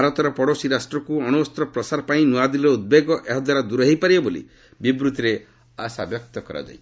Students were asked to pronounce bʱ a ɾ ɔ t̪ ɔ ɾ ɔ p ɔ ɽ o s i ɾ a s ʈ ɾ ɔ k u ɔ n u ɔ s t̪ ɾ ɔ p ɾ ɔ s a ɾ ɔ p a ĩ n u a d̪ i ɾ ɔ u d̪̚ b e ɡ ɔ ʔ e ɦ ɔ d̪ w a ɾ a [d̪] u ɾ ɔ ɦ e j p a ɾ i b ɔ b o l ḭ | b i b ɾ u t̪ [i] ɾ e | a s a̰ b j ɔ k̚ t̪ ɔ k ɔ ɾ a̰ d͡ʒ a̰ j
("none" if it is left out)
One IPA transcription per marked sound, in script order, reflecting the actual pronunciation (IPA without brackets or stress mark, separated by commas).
d̪, i